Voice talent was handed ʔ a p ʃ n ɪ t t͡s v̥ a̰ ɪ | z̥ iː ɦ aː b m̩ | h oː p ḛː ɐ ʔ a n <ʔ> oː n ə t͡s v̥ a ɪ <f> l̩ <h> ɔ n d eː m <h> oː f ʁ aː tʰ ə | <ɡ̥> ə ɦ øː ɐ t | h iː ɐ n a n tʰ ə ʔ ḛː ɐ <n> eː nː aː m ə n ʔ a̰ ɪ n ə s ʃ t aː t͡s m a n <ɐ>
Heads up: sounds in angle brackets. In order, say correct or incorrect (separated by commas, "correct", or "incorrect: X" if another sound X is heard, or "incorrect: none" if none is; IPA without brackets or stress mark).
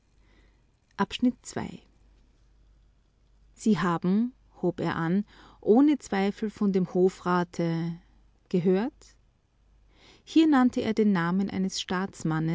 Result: correct, correct, incorrect: f, correct, correct, incorrect: d, incorrect: ə